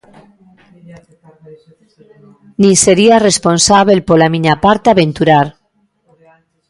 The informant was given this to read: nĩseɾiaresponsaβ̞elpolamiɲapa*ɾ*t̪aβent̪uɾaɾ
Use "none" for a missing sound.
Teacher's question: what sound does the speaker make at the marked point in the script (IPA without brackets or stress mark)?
ɾ